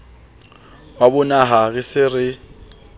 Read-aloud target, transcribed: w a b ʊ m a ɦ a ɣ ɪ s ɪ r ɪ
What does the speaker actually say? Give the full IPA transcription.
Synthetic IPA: w a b ʊ n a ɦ a ɣ ɪ s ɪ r ɪ